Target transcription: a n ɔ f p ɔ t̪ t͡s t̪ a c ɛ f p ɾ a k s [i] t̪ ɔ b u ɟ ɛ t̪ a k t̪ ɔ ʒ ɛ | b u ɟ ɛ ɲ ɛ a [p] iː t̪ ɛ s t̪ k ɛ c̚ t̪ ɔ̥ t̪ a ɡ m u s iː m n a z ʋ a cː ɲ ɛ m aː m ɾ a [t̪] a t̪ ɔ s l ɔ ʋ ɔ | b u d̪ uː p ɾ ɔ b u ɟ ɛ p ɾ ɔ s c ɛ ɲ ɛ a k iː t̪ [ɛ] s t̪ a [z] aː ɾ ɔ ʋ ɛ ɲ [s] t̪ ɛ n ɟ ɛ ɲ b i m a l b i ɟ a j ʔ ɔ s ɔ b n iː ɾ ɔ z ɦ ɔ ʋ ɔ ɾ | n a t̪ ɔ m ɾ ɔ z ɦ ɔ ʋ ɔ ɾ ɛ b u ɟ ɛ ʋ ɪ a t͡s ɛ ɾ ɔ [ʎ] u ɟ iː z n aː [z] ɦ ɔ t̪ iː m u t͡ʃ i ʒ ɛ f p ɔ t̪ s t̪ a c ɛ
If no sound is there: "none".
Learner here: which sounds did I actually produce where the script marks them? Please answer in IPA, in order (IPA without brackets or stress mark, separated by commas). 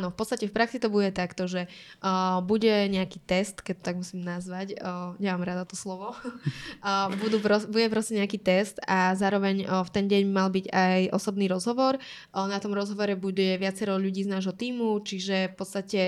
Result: i, k, d̪, ɛ, z, f, ʎ, ʒ